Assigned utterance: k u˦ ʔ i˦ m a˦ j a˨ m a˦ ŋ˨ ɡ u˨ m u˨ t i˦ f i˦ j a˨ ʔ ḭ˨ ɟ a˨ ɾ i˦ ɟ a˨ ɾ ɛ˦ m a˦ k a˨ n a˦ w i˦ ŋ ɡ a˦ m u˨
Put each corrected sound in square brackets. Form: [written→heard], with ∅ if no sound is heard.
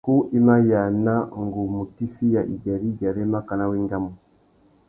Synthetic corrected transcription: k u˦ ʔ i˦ m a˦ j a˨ [m→n] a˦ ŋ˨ ɡ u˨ m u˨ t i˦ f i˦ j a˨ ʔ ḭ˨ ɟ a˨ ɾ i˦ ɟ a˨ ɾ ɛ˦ m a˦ k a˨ n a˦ w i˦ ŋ ɡ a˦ m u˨